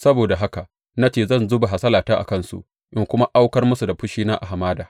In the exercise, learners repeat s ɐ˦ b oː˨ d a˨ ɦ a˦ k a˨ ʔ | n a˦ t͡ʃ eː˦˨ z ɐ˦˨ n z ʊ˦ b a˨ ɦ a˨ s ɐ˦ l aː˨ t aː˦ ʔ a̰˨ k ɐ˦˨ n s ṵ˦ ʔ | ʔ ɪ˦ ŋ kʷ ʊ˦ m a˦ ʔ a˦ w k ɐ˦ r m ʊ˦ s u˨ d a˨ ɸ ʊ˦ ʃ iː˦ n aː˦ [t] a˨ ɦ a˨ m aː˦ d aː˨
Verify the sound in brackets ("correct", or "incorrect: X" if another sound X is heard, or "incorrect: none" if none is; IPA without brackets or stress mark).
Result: incorrect: ʔ